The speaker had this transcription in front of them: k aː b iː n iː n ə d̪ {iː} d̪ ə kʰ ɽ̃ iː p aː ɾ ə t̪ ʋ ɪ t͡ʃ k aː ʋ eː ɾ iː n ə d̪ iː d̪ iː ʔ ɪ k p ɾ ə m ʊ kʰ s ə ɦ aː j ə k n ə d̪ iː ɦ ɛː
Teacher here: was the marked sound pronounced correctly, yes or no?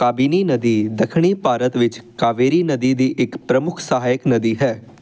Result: yes